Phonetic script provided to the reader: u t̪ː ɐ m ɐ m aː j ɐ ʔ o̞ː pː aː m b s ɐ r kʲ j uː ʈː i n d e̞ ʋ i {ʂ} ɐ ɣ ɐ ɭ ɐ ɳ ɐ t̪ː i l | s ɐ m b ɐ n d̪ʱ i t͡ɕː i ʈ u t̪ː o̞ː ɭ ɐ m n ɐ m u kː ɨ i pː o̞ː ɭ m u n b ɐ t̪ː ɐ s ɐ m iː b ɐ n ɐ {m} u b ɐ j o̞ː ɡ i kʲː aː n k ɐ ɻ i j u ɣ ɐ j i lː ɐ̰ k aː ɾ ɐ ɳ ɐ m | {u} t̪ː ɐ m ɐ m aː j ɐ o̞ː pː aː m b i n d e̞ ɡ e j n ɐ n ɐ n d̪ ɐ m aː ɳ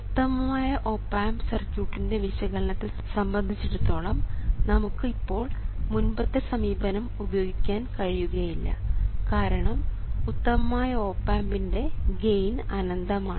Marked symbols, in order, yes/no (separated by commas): no, yes, yes